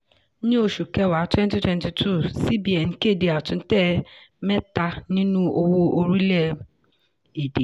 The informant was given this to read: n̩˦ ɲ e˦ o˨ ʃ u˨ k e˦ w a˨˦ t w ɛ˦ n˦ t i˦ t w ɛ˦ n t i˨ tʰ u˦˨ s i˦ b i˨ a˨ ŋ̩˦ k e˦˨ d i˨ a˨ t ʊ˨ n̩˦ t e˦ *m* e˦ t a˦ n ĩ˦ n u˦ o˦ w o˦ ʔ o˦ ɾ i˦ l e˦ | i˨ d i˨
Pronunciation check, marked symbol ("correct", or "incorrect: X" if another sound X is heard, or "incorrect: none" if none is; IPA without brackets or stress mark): correct